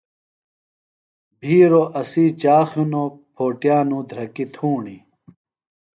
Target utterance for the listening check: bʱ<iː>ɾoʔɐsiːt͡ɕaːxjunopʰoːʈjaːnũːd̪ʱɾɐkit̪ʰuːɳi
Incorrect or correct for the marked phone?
correct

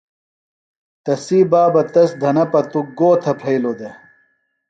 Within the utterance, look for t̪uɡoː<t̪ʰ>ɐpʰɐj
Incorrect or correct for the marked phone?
correct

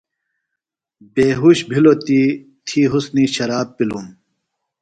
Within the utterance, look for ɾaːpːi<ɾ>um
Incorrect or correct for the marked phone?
incorrect: l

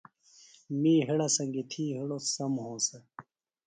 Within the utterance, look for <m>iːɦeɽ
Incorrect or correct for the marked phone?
correct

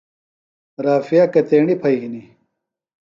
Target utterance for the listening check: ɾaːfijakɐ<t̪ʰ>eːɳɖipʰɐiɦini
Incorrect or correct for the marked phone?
incorrect: t̪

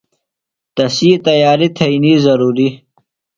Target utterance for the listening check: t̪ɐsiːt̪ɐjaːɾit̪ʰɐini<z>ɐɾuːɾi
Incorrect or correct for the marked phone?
correct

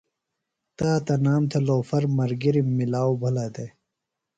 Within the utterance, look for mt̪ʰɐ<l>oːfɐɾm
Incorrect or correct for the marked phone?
correct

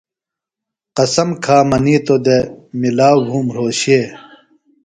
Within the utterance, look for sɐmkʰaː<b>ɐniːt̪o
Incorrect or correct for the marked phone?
incorrect: m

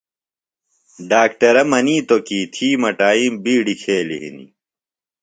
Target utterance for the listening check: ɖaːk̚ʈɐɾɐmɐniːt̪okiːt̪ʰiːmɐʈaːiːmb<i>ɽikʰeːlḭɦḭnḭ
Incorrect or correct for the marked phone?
incorrect: iː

